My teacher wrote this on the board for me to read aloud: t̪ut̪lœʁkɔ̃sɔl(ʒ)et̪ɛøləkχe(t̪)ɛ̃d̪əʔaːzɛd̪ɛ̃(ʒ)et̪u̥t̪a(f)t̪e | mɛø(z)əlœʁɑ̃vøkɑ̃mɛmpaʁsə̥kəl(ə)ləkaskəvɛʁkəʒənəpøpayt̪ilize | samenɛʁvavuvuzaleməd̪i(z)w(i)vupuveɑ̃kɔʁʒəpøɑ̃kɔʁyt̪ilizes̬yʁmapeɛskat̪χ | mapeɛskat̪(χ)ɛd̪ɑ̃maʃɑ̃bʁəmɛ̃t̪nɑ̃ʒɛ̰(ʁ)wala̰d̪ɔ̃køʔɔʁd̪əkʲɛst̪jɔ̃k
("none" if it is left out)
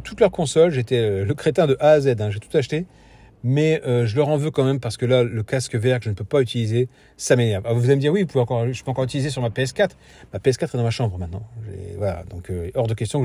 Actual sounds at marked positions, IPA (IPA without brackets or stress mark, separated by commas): ʒ, t̪, ʒ, ʃ, ʒ, a, ʁ, i, χ, v